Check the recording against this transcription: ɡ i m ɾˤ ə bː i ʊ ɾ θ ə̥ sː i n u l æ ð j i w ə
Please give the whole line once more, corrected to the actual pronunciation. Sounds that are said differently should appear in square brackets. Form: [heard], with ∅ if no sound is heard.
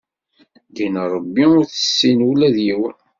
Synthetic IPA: ɡ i [n] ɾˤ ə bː i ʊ ɾ θ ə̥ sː i n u l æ ð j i w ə